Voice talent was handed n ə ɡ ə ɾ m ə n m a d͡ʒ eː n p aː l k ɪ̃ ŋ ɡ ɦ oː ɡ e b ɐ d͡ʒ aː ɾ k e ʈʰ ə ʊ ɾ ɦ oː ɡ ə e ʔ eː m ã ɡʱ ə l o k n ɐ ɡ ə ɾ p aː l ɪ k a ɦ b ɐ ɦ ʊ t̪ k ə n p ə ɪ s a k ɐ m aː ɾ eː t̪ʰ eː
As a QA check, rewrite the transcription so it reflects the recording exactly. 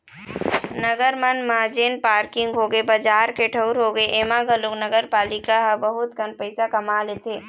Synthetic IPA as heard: n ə ɡ ə ɾ m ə n m a d͡ʒ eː n p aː ɾ k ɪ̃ ŋ ɡ ɦ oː ɡ e b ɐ d͡ʒ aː ɾ k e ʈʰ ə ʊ ɾ ɦ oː ɡ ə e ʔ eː m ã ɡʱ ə l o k n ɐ ɡ ə ɾ p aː l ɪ k a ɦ b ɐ ɦ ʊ t̪ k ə n p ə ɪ s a k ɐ m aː l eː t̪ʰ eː